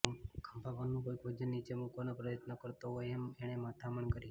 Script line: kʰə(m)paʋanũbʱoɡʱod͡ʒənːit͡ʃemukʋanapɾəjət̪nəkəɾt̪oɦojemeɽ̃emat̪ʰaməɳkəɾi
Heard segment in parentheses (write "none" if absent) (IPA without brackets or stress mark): m